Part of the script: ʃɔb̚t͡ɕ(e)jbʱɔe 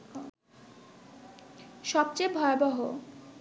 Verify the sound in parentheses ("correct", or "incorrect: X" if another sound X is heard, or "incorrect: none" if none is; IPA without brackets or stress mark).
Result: correct